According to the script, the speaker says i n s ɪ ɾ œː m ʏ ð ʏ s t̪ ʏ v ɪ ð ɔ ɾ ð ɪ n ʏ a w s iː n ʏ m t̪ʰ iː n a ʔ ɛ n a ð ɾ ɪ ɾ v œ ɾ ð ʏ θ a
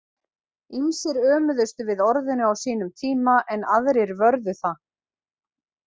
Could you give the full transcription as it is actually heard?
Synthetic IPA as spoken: i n s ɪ ɾ œː m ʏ ð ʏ s t̪ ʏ v ɪ ð ɔ ɾ ð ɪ n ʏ a w s iː n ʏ m t̪ʰ iː m a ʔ ɛ n a ð ɾ ɪ ɾ v œ ɾ ð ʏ θ a